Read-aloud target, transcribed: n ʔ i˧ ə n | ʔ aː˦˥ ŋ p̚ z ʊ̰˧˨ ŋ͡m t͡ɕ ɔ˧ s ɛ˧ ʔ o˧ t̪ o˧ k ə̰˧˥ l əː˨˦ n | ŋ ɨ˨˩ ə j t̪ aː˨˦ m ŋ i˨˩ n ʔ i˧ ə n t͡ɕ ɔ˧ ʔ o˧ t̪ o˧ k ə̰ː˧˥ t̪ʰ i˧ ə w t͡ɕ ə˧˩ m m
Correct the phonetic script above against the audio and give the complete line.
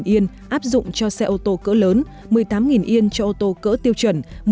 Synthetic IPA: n ʔ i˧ ə n | ʔ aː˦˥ p̚ z ʊ̰˧˨ ŋ͡m t͡ɕ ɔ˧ s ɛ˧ ʔ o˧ t̪ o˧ k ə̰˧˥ l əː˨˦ n | m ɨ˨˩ ə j t̪ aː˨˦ m ŋ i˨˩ n ʔ i˧ ə n t͡ɕ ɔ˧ ʔ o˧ t̪ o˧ k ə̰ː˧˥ t̪ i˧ ə w t͡ɕ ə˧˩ n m